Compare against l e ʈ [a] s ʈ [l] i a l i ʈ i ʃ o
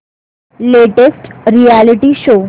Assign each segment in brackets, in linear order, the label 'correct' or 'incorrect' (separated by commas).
incorrect, incorrect